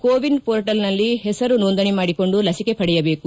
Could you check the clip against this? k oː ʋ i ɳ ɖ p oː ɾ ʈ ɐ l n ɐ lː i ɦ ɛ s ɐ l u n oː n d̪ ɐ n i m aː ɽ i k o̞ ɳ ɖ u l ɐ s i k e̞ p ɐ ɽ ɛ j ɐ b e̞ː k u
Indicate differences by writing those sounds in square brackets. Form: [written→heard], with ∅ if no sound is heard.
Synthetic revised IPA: k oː ʋ i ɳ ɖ p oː ɾ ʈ ɐ l n ɐ lː i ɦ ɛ s ɐ [l→ɾ] u n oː n d̪ ɐ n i m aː ɽ i k o̞ ɳ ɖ u l ɐ s i k e̞ p ɐ ɽ ɛ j ɐ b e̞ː k u